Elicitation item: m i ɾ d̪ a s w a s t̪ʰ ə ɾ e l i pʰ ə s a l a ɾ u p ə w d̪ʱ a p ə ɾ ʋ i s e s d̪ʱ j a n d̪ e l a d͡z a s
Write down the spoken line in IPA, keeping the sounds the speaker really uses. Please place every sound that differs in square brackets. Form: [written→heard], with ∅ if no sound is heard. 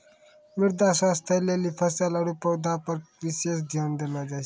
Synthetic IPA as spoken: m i ɾ d̪ a s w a s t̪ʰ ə [ɾ→l] e l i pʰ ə s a l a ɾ u p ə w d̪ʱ a p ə ɾ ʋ i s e s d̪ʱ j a n d̪ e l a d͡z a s